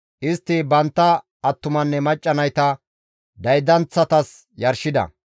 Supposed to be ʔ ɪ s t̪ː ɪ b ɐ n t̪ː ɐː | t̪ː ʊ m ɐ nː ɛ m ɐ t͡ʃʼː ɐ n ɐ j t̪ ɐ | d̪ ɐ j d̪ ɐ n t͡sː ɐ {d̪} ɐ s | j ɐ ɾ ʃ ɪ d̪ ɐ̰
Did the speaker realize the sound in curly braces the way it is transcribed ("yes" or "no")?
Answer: no